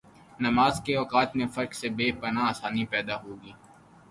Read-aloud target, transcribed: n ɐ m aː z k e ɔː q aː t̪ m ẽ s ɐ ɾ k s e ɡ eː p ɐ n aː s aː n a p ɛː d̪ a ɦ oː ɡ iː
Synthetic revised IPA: n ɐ m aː z k e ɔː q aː t̪ m ẽ f ɐ ɾ k s e b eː p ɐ n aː s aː n i p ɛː d̪ a ɦ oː ɡ iː